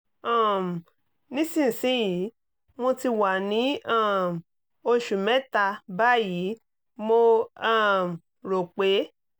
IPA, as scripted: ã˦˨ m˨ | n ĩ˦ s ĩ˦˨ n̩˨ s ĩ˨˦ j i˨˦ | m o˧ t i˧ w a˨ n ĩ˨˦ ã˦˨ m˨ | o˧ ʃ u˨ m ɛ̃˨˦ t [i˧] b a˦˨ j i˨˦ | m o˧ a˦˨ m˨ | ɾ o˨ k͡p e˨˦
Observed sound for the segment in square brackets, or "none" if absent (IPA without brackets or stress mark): a˧